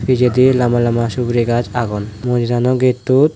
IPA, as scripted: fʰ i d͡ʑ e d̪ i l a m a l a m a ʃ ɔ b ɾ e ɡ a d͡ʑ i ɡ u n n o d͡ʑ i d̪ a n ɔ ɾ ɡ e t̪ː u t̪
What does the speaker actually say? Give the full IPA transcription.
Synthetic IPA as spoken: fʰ i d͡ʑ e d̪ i l a m a l a m a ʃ u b ɾ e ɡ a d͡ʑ a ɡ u n m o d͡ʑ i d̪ a n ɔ ɡ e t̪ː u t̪